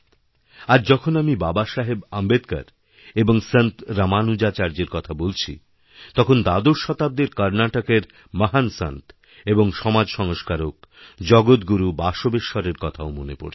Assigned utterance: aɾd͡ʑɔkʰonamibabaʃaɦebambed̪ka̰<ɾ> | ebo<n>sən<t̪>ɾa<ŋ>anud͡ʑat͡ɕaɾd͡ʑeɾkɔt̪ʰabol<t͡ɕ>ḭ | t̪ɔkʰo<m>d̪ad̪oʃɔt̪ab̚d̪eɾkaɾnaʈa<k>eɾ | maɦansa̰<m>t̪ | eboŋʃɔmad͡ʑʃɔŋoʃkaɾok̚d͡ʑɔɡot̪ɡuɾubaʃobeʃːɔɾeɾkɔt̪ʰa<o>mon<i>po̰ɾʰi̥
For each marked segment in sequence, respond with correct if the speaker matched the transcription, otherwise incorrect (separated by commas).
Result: correct, incorrect, correct, incorrect, incorrect, incorrect, correct, incorrect, correct, incorrect